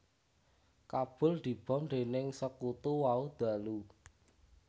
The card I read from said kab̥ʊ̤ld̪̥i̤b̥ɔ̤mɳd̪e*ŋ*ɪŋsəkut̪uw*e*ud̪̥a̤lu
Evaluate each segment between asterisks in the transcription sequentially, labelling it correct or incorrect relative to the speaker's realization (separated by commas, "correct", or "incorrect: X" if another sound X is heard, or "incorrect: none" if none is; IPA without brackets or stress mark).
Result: incorrect: n, incorrect: a